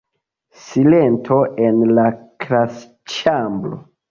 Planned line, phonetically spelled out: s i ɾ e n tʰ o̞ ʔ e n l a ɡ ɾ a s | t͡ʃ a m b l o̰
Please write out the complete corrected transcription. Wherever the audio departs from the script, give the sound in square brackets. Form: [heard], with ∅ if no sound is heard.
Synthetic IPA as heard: s i [l] e n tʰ o̞ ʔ e n l a [k] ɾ a s | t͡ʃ a m b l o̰